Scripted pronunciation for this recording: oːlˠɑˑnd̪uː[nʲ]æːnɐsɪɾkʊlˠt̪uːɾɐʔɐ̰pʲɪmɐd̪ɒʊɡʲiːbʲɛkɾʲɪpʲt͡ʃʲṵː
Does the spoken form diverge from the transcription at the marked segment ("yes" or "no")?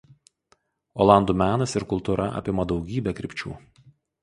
yes